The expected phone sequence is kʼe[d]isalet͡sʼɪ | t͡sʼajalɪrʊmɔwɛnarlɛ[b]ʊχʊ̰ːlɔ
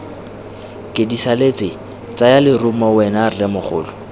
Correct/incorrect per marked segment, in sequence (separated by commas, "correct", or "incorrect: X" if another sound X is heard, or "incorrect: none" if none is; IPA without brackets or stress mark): correct, incorrect: m